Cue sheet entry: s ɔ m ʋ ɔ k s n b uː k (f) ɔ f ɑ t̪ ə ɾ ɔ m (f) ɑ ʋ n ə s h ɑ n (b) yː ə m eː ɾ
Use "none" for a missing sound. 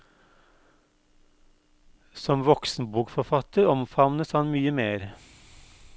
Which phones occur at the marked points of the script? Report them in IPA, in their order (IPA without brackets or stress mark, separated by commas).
f, f, m